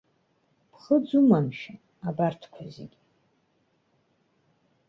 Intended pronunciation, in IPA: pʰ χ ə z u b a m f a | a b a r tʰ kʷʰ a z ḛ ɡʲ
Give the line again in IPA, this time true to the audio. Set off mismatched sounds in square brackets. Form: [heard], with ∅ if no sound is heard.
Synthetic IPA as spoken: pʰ χ ə [d͡z] u [m] a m [ʃ] a | a b a r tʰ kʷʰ a z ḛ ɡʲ